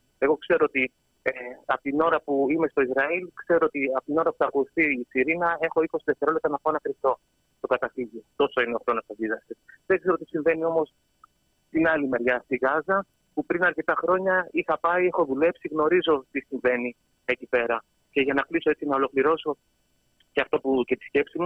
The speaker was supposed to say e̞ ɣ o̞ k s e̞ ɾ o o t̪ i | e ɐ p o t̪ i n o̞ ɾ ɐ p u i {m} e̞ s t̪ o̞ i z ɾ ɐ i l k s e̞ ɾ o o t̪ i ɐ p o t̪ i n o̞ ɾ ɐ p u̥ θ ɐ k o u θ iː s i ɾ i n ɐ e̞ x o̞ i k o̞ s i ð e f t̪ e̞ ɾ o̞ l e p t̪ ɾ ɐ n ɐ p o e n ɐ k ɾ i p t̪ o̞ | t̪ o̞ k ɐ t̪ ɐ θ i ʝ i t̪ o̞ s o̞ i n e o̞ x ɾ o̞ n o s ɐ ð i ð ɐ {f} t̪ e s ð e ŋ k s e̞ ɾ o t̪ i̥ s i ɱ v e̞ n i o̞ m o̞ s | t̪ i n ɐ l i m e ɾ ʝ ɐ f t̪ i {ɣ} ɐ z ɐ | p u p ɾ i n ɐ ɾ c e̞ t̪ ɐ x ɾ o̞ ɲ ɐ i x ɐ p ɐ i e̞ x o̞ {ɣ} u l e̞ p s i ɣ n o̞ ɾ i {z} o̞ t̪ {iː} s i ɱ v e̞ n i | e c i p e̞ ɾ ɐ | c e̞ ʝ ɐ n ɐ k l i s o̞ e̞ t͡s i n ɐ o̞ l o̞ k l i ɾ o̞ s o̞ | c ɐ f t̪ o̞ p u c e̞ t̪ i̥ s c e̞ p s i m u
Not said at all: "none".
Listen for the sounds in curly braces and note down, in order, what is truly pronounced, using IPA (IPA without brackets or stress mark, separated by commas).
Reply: m, s, ɣ, ð, z, i